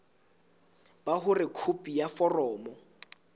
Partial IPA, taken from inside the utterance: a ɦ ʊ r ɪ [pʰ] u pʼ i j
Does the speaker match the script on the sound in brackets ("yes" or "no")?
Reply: no